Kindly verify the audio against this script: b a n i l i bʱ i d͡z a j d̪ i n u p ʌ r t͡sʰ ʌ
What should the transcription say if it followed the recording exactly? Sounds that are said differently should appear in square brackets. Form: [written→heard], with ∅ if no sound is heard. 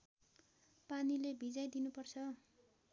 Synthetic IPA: [b→p] a n i l [i→e] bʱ i d͡z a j d̪ i n u p ʌ r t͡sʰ ʌ